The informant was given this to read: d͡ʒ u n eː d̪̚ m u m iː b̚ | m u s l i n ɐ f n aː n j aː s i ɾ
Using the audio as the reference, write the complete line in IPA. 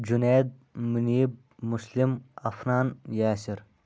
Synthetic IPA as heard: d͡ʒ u n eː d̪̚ m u n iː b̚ | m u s l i m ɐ f n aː n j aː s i ɾ